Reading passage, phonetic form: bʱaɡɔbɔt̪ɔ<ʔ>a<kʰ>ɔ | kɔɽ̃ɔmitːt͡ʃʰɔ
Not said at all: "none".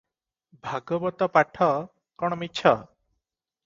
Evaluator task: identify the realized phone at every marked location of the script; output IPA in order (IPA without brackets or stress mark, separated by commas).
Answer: p, ʈʰ